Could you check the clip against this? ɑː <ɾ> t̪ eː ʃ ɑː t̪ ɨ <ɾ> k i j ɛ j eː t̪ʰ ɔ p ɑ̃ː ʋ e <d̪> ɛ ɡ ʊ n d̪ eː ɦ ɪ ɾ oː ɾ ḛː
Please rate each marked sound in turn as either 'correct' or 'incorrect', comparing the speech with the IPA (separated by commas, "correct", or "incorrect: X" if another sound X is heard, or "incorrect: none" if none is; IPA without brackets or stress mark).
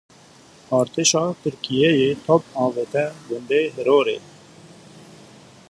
correct, correct, incorrect: t̪